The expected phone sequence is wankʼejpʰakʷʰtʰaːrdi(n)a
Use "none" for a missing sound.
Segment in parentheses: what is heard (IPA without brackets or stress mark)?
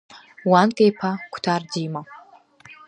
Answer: m